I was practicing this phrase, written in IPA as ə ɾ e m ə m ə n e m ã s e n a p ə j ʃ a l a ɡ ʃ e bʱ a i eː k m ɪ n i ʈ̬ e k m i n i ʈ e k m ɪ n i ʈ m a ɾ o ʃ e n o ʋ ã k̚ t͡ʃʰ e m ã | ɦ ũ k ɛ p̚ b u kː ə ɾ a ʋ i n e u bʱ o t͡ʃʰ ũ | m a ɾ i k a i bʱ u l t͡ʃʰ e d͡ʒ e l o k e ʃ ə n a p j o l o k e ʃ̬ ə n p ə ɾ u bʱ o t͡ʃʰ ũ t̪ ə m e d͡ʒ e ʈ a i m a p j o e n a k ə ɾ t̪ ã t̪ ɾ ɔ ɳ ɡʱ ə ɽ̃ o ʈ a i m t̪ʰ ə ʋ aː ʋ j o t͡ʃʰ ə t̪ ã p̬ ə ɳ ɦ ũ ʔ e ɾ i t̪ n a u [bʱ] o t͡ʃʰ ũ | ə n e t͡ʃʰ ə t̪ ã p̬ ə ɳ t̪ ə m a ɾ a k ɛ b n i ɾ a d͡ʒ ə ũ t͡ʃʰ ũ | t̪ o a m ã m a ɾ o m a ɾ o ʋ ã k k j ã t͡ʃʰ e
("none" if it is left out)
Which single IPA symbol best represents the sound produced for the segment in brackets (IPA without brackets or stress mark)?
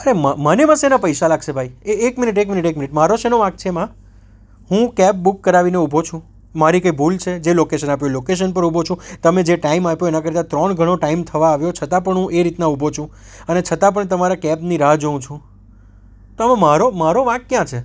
bʱ